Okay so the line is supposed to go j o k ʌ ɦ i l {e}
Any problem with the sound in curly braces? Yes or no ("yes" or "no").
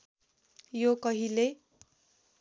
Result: no